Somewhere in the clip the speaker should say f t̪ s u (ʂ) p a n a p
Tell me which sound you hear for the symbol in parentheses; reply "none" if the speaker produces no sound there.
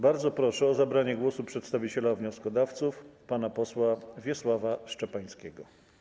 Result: f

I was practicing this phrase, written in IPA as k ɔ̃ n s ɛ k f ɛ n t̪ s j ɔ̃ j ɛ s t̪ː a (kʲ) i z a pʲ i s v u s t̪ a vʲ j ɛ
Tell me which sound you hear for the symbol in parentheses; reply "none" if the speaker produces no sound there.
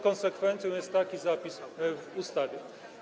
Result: kʲ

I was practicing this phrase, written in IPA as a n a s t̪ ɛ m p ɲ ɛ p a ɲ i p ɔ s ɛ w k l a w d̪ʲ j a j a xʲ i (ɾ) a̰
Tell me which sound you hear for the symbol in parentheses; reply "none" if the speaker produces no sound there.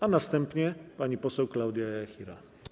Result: ɾ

